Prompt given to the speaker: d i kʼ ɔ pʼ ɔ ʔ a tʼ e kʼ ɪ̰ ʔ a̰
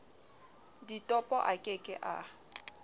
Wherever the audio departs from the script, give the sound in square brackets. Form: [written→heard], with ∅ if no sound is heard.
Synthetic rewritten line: d i [kʼ→tʼ] ɔ pʼ ɔ ʔ a [tʼ→kʼ] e kʼ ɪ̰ ʔ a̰